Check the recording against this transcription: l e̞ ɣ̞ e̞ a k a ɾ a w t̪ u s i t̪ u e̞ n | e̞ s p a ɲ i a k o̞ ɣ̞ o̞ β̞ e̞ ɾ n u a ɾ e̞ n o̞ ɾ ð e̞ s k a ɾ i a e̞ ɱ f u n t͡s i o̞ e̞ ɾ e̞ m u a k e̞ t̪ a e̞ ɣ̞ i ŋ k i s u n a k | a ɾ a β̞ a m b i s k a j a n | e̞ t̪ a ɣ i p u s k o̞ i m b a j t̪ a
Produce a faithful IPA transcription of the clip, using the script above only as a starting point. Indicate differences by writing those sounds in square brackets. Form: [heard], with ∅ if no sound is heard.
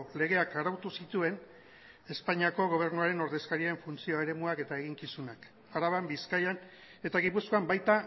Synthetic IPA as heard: l e̞ ɣ̞ e̞ a k a ɾ a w t̪ u s i t̪ u e̞ n | e̞ s p a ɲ i a k o̞ ɣ̞ o̞ β̞ e̞ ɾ n u a ɾ e̞ n o̞ ɾ ð e̞ s k a ɾ i a e̞ ɱ f u n t͡s i o̞ e̞ ɾ e̞ m u a k e̞ t̪ a e̞ ɣ̞ i ŋ k i s u n a k | a ɾ a β̞ a m b i s k a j a n | e̞ t̪ a ɣ i p u s k o̞ [a] m b a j t̪ a